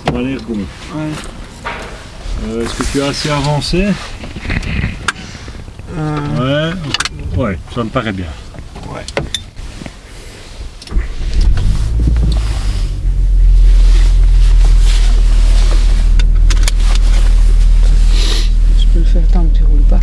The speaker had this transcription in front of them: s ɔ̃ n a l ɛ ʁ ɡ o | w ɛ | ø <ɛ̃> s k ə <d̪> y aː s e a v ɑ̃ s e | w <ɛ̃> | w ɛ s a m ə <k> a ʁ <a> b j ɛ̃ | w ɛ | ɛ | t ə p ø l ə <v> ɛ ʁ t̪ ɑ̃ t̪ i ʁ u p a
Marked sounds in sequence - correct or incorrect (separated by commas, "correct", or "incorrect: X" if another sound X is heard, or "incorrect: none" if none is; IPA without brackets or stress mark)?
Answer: incorrect: ɛ, incorrect: t̪, incorrect: ɛ, incorrect: p, incorrect: ɛ, incorrect: f